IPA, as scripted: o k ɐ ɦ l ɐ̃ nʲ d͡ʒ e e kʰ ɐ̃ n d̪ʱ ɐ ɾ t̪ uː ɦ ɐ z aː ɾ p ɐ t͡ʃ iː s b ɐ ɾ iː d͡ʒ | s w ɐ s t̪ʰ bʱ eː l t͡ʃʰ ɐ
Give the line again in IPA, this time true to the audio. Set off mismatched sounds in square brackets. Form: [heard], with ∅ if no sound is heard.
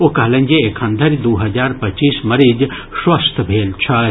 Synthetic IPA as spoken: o k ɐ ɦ l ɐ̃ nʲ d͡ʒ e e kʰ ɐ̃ n d̪ʱ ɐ ɾ [d̪] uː ɦ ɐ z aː ɾ p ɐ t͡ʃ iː s [m] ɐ ɾ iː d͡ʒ | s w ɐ s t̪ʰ bʱ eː l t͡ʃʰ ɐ